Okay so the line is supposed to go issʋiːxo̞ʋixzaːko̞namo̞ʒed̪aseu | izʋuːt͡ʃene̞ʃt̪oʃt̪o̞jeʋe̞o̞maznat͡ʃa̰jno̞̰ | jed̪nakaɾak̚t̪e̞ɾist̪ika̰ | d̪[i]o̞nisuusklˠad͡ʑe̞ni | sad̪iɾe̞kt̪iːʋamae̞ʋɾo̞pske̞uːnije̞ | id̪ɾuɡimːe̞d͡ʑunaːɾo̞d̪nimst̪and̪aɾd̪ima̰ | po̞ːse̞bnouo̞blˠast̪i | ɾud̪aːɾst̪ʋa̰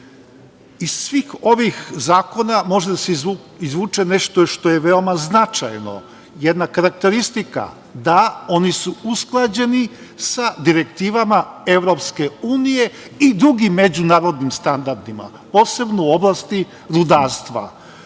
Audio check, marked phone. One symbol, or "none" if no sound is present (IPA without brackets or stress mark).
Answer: a